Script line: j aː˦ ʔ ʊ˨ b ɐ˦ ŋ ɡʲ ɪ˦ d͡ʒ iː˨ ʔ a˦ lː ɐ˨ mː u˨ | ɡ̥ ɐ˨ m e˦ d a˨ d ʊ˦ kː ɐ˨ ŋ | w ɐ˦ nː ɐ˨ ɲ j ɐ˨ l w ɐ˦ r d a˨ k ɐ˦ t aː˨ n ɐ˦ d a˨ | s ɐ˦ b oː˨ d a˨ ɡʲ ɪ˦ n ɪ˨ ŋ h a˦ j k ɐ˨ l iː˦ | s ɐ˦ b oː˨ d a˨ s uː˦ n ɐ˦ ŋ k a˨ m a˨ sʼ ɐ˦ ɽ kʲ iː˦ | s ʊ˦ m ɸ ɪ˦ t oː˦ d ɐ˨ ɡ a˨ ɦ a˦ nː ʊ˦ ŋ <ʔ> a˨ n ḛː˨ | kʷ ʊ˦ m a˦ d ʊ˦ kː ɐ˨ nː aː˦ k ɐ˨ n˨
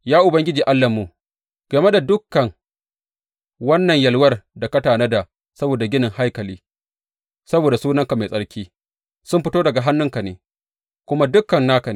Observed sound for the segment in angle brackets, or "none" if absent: k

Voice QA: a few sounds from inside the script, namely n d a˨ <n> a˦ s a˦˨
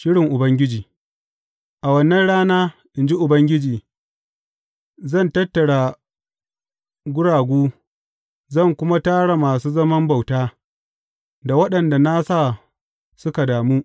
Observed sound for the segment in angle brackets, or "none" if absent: n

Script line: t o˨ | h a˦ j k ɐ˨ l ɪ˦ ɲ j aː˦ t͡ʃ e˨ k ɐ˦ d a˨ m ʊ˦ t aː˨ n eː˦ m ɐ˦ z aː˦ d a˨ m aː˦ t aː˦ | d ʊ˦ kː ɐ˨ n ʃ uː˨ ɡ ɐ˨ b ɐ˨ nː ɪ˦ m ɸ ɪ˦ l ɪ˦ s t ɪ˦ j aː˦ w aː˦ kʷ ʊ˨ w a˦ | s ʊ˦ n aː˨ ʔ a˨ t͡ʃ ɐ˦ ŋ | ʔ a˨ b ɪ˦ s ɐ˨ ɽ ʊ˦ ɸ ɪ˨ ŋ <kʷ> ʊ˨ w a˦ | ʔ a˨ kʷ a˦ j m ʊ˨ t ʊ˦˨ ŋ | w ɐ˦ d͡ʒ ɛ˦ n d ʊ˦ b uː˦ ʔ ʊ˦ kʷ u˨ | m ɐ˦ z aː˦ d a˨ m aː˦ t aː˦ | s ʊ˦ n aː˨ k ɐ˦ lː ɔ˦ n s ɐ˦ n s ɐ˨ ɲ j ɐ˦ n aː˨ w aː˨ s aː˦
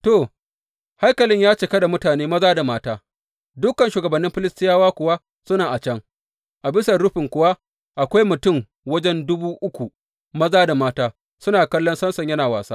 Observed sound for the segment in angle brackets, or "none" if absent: kʷ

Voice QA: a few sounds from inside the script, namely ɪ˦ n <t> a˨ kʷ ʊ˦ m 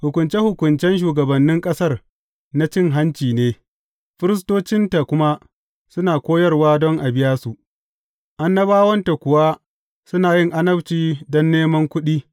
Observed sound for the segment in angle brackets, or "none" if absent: t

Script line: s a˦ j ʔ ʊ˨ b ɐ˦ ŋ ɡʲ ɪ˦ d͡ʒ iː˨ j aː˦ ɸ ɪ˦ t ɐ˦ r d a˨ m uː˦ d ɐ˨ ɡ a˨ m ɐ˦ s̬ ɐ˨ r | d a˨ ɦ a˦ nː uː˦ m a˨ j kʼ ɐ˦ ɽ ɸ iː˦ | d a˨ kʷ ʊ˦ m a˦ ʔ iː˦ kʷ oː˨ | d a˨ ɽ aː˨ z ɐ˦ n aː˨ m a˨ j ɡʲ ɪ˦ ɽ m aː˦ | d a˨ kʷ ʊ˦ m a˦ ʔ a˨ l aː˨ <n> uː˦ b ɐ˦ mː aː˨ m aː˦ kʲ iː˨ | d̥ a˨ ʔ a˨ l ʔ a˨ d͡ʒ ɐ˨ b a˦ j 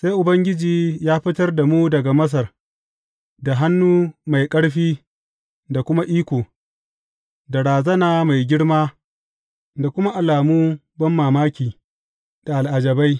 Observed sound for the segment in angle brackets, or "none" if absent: m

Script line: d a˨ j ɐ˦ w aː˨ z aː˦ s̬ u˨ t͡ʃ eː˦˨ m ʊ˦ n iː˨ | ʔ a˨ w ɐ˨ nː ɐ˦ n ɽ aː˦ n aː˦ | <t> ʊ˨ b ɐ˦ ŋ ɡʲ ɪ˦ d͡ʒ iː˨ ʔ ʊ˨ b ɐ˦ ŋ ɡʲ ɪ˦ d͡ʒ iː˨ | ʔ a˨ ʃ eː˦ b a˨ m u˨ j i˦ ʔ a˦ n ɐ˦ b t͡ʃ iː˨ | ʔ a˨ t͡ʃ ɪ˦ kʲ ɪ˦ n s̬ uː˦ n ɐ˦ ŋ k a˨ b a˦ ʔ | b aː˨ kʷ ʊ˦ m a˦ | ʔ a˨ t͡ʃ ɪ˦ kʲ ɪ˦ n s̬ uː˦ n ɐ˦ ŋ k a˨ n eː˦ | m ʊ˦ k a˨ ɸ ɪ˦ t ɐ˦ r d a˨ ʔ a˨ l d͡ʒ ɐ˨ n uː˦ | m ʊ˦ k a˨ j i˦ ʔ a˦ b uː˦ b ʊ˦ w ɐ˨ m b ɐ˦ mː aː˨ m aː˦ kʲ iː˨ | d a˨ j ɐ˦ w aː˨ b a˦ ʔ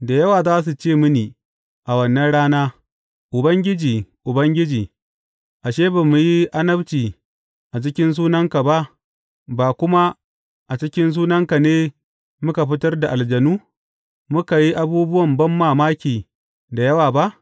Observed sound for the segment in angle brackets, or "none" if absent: ʔ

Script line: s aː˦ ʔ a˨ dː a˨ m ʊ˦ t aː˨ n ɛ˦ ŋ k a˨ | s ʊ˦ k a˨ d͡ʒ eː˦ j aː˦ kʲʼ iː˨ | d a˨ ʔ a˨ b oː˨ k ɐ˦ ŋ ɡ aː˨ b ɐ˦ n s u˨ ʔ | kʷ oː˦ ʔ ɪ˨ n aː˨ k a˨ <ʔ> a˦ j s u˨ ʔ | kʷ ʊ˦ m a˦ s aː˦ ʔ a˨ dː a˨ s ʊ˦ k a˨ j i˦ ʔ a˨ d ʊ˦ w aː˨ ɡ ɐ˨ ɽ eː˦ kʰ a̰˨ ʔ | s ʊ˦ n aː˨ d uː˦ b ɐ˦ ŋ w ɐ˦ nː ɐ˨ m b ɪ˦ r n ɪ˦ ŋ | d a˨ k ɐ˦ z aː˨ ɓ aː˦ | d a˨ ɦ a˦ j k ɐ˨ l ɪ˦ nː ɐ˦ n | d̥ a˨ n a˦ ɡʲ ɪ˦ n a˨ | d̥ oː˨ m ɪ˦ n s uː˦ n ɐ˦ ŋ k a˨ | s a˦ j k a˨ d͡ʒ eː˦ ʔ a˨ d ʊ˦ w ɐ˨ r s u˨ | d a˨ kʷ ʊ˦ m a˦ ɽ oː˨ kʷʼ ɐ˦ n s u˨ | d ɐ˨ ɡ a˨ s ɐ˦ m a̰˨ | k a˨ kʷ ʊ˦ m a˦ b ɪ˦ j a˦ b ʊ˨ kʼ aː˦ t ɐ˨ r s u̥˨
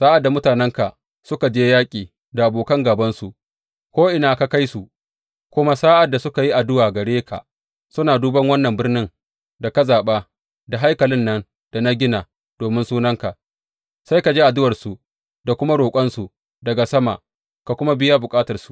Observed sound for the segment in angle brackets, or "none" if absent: k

